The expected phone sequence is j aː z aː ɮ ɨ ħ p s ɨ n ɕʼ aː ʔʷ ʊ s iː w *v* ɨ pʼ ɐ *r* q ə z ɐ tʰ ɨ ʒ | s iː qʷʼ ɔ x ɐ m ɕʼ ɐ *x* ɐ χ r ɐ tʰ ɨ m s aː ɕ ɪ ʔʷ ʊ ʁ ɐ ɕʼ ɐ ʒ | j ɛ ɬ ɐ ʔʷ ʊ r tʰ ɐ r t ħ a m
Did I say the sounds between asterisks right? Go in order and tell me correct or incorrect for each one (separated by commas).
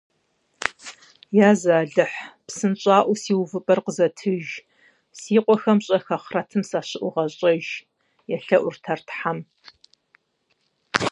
correct, correct, correct